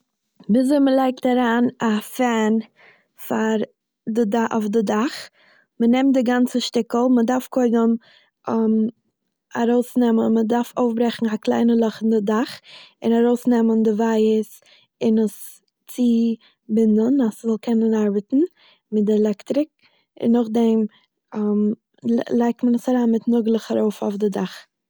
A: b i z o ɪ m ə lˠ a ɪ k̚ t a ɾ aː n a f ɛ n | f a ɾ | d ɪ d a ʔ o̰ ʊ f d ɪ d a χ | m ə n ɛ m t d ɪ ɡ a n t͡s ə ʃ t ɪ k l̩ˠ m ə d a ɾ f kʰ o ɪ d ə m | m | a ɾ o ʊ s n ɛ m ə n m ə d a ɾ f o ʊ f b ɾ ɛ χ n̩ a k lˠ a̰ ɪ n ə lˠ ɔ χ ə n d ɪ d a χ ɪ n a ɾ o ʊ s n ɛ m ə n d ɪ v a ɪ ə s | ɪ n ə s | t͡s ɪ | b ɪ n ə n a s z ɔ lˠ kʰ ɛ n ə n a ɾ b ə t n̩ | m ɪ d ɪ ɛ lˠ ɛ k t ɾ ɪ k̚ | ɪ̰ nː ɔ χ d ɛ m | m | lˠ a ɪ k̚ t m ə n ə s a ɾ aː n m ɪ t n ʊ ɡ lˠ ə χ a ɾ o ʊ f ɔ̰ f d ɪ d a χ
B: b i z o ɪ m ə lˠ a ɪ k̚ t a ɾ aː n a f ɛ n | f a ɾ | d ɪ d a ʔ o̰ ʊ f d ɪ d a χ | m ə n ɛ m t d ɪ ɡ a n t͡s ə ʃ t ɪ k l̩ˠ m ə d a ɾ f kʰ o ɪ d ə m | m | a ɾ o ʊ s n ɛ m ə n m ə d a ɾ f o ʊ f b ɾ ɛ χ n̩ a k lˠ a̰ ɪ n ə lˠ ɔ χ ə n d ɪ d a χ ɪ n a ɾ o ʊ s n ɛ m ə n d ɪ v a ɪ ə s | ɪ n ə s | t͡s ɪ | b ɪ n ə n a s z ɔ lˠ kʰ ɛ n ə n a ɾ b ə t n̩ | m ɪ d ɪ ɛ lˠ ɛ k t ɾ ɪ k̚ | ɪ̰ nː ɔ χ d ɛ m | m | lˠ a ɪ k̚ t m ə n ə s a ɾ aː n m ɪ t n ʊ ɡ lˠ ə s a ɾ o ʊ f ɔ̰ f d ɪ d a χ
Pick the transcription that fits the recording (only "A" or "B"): A